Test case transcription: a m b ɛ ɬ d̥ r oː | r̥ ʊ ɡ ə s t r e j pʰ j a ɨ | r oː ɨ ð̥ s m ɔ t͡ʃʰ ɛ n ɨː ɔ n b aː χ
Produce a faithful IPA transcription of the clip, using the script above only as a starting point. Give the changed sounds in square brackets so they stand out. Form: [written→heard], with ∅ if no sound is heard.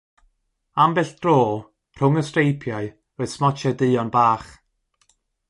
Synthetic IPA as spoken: a m b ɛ ɬ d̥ r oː | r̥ ʊ [ɡ→ŋ] ə s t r e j pʰ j a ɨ | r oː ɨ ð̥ s m ɔ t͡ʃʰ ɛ [n→d] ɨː ɔ n b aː χ